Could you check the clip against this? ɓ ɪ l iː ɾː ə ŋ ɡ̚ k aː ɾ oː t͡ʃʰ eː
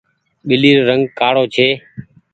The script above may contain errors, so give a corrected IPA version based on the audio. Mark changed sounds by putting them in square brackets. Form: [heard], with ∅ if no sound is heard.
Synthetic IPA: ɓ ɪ l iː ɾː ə ŋ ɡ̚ k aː [ɽ] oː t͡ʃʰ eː